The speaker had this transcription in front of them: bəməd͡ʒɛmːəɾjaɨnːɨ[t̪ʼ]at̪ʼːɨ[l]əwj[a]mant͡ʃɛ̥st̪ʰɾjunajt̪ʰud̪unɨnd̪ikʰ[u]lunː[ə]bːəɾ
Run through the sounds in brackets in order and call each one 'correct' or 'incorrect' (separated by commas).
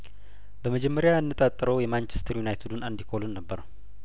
correct, incorrect, incorrect, incorrect, correct